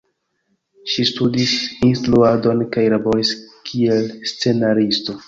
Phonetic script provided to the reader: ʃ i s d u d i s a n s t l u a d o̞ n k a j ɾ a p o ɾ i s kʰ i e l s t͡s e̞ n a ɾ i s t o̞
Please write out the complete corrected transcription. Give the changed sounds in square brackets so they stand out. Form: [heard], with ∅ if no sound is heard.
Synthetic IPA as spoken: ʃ i s [t] u d i s [i] n s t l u a d o̞ n k a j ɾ a [b] o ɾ i s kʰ i e l s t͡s e̞ n a ɾ i s t o̞